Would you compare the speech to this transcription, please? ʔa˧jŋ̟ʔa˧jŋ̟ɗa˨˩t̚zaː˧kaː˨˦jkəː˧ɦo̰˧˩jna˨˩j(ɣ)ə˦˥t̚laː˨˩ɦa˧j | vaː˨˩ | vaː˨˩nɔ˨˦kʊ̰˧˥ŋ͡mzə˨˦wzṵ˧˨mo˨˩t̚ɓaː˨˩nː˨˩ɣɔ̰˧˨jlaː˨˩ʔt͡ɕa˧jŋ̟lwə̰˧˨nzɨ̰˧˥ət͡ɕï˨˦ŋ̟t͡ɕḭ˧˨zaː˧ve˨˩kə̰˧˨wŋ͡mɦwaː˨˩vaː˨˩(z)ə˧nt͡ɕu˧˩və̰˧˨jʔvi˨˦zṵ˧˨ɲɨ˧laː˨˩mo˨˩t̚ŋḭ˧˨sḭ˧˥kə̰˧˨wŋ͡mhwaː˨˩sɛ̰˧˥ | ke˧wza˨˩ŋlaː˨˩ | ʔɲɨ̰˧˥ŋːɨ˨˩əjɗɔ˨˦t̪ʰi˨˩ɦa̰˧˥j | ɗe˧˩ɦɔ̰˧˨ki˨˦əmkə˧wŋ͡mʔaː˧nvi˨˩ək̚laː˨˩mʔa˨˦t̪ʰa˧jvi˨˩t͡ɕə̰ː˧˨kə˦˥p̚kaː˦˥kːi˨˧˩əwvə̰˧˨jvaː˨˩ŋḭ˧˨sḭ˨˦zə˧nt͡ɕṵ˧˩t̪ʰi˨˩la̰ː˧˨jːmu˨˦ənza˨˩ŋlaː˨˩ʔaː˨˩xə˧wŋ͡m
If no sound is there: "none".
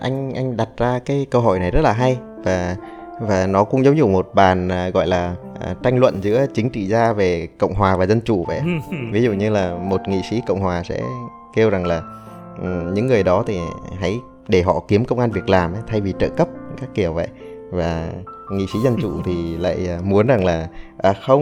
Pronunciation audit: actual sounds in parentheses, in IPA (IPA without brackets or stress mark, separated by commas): z, z